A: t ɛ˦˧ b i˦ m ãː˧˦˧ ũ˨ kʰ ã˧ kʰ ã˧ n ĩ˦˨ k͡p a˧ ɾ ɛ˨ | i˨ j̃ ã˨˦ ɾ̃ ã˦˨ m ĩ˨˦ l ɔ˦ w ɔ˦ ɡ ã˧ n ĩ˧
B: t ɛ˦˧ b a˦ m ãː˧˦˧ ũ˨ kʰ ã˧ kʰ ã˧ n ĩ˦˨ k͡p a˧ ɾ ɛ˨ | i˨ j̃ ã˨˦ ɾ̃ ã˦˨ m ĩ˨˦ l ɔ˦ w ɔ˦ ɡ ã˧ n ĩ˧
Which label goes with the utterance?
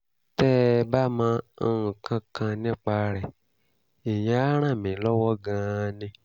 B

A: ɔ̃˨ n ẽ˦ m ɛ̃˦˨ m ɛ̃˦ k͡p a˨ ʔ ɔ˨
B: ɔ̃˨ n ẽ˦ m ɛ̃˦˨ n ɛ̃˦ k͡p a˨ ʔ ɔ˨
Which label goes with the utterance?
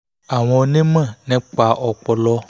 B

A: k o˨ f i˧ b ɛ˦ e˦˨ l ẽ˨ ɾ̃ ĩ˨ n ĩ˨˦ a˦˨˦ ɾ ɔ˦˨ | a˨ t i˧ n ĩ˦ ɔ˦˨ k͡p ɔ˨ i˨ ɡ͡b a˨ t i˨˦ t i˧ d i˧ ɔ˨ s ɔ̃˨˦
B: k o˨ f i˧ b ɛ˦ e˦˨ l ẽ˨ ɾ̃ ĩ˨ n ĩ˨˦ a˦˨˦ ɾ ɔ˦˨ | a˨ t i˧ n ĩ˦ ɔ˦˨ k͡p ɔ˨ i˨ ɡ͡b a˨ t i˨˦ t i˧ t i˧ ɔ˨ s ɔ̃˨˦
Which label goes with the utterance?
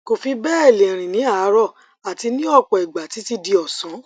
A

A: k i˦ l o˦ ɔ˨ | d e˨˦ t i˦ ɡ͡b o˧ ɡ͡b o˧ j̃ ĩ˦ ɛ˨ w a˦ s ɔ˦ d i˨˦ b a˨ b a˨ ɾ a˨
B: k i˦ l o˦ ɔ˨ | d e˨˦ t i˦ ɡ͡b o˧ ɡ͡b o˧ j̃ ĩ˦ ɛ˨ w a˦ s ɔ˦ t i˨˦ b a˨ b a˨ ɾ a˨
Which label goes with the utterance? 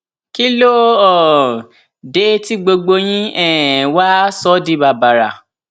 A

